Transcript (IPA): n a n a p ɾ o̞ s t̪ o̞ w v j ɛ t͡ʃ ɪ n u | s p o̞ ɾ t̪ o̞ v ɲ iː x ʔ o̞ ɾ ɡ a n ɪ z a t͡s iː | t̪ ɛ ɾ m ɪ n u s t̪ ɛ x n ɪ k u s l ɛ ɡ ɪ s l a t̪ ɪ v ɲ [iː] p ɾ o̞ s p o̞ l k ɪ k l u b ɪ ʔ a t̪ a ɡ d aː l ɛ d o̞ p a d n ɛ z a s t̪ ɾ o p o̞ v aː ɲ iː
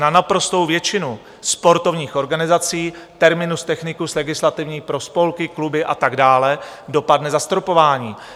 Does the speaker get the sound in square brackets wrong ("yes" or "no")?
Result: no